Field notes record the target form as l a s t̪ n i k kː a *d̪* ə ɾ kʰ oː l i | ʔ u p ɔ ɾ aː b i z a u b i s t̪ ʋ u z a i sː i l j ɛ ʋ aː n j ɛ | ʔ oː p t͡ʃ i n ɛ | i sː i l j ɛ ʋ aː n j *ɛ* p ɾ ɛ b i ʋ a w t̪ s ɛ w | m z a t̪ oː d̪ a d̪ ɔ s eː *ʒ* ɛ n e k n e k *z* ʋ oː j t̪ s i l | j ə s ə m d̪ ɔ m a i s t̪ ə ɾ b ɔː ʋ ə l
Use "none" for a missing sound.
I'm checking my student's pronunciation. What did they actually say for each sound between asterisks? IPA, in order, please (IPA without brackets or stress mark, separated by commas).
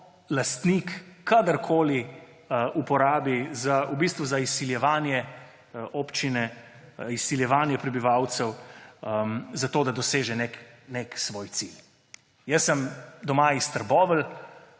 d̪, ɛ, ʒ, s